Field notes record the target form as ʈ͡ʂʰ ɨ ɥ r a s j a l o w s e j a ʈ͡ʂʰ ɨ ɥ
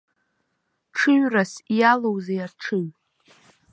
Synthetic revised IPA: ʈ͡ʂʰ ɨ ɥ r a s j a l o w z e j a ʈ͡ʂʰ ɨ ɥ